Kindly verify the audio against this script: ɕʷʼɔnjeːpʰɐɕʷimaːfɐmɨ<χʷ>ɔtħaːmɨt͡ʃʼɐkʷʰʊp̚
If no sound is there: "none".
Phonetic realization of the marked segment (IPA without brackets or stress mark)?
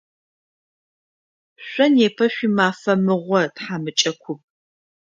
ʁʷ